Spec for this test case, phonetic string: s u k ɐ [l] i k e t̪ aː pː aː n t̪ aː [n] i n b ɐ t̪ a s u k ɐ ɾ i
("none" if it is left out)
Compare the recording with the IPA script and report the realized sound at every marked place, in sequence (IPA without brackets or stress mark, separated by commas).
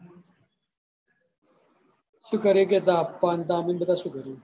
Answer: ɾ, m